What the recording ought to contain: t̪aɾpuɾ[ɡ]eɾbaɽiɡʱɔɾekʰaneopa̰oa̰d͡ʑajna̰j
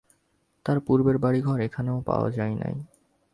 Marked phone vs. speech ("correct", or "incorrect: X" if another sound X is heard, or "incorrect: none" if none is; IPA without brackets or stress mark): incorrect: b